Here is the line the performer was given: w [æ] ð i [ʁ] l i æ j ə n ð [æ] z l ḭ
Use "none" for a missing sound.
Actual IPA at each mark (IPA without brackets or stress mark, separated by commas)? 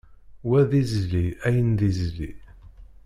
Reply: æ, z, i